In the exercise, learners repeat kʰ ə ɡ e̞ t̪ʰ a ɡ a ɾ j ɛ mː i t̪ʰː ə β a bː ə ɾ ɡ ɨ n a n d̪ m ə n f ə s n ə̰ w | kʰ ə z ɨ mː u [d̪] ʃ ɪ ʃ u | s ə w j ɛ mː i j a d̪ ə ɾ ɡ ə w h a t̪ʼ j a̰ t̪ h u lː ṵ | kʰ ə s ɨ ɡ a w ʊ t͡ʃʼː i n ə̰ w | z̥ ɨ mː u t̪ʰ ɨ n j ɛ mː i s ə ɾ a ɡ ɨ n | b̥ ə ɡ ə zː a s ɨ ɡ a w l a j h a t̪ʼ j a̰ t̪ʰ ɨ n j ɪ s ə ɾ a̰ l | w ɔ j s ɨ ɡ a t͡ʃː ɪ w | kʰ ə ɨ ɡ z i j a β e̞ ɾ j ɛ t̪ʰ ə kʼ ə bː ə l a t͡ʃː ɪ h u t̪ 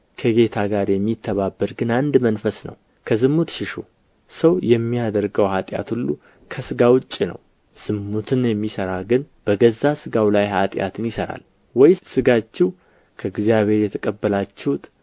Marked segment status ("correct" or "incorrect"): incorrect